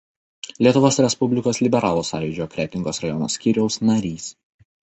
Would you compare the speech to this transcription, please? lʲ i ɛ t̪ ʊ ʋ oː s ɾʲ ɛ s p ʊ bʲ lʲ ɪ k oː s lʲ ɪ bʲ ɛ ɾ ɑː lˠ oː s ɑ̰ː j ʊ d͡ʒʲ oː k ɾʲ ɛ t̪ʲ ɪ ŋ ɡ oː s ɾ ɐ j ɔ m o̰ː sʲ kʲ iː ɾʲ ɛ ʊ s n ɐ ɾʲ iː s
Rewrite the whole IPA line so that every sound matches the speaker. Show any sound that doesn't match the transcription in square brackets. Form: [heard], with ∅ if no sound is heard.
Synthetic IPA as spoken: lʲ i ɛ t̪ ʊ ʋ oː s ɾʲ ɛ s p ʊ bʲ lʲ ɪ k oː s lʲ ɪ bʲ ɛ ɾ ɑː lˠ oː s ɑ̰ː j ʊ d͡ʒʲ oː k ɾʲ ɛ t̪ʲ ɪ ŋ ɡ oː s ɾ ɐ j ɔ [n] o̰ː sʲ kʲ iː ɾʲ ɛ ʊ s n ɐ ɾʲ iː s